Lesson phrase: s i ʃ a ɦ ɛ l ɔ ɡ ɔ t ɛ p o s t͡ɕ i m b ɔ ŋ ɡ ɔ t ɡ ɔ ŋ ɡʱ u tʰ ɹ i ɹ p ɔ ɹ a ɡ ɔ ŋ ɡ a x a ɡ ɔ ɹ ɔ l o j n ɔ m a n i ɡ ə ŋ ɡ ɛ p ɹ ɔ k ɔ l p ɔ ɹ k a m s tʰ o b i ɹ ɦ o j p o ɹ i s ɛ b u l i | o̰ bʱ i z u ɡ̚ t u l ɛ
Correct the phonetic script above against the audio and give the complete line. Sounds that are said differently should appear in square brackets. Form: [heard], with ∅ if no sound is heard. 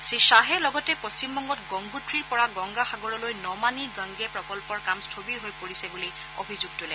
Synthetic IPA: s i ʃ a ɦ ɛ l ɔ ɡ ɔ t ɛ p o s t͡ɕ i m b ɔ ŋ ɡ ɔ t ɡ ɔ ŋ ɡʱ u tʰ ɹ i ɹ p ɔ ɹ a ɡ ɔ ŋ ɡ a x a ɡ ɔ ɹ ɔ l o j n ɔ m a n i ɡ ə ŋ ɡ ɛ p ɹ ɔ k ɔ l p ɔ ɹ k a m s tʰ o b i ɹ ɦ o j p o ɹ i s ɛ b u l i | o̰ bʱ i z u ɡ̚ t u l ɛ